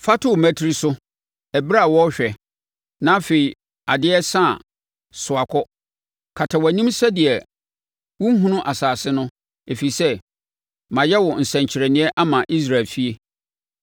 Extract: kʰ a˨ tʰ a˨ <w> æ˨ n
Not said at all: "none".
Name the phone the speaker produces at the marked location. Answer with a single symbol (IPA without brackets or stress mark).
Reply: w